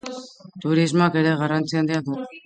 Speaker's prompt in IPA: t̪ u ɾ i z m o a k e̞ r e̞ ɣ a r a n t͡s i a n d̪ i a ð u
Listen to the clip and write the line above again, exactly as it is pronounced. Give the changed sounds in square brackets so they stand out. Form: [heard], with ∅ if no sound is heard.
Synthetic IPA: t̪ u ɾ i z m o a k e̞ [ɾ] e̞ ɣ a r a n t͡s i a n d̪ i a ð u